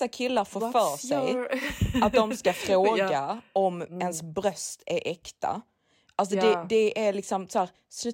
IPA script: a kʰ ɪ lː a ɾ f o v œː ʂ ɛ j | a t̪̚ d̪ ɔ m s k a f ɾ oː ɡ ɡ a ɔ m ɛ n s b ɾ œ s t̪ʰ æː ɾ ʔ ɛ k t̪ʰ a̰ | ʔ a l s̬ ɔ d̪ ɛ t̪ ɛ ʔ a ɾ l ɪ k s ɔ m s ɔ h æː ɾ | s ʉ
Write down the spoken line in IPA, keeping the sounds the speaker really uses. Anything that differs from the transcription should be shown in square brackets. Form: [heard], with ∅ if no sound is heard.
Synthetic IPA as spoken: a kʰ ɪ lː a ɾ f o [f] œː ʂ ɛ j | a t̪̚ d̪ ɔ m s k a f ɾ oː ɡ ɡ a ɔ m ɛ n s b ɾ œ s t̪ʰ [æ] ɾ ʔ ɛ k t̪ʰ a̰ | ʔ a l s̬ ɔ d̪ ɛ [d̪] ɛ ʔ [æ] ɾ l ɪ k s ɔ m s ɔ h æː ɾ | s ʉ